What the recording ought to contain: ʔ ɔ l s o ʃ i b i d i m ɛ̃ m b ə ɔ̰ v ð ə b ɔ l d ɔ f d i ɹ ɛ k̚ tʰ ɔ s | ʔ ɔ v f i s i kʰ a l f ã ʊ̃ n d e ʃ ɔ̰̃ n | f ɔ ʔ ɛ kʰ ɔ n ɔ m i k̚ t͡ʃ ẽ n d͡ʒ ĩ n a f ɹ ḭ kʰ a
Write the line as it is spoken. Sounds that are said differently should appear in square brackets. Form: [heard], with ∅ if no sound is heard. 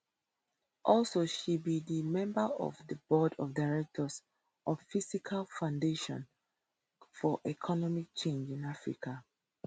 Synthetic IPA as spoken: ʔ ɔ l s o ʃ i b i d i m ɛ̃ m b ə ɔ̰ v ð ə b ɔ [∅] d ɔ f d [a] ɹ ɛ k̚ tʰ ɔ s | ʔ ɔ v f i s i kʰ a l f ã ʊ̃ n d e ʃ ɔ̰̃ n | f ɔ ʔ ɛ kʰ ɔ n ɔ m i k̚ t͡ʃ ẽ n d͡ʒ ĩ n a f ɹ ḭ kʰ a

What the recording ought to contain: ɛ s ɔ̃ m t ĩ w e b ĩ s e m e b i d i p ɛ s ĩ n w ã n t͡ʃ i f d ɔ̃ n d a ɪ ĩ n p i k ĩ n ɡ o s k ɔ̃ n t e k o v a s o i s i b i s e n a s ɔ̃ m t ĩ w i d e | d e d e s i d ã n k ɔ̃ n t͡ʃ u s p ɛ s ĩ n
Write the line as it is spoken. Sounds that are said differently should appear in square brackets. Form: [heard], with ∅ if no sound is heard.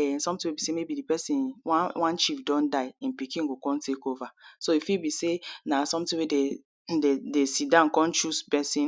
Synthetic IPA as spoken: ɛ s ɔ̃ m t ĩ w e b [i] s e m e b i d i p ɛ s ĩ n w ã n t͡ʃ i f d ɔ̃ n d a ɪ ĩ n p i k ĩ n ɡ o [∅] k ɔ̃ n t e k o v a s o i [f] i b i s e n a s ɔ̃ m t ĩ w [e] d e | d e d e s i d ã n k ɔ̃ n t͡ʃ u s p ɛ s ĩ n

